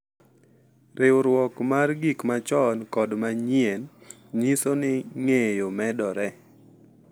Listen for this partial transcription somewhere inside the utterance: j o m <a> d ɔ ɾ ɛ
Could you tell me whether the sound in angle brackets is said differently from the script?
yes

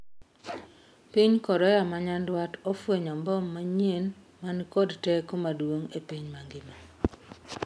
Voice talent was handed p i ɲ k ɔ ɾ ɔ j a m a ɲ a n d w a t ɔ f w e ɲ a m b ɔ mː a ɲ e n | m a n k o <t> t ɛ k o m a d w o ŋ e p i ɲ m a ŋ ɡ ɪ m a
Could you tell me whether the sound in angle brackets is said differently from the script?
yes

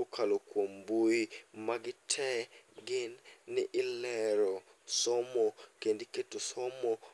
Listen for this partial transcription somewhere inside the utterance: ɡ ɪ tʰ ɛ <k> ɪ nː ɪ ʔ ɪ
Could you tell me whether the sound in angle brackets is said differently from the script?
yes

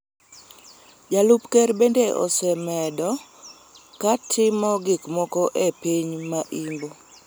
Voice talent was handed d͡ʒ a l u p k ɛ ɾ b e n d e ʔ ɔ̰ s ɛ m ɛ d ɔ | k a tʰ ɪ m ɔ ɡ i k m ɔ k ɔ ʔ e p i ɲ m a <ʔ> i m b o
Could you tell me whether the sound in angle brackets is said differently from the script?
no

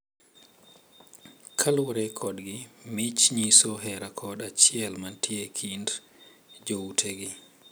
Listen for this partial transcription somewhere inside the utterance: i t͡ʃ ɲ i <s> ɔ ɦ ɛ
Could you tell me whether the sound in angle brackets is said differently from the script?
no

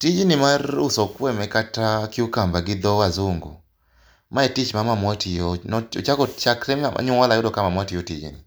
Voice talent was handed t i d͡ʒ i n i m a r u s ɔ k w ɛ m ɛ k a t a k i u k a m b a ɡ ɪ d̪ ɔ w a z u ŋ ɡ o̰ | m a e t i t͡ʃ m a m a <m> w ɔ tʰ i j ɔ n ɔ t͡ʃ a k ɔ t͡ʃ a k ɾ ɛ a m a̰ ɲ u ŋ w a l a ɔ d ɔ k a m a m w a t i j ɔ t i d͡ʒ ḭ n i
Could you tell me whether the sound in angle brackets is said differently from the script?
no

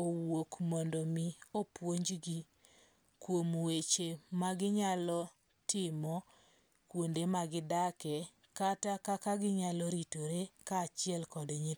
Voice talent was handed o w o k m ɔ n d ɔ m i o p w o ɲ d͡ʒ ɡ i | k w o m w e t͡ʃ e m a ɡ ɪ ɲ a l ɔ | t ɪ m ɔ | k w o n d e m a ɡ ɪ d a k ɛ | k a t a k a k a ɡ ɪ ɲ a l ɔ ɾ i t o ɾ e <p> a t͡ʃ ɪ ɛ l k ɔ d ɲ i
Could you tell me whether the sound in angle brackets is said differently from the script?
yes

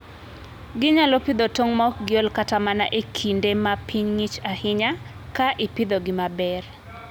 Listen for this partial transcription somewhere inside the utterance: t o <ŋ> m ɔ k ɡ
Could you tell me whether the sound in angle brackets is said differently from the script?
no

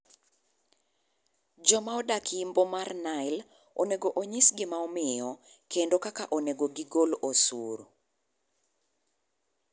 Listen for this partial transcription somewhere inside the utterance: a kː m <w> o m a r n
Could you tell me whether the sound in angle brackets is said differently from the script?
yes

